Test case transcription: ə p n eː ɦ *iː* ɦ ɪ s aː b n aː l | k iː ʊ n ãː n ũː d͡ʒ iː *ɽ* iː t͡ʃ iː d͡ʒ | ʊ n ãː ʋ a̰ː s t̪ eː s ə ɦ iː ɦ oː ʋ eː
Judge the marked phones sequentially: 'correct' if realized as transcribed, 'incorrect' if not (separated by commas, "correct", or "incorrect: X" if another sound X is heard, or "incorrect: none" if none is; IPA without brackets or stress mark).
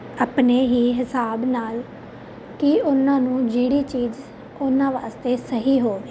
correct, correct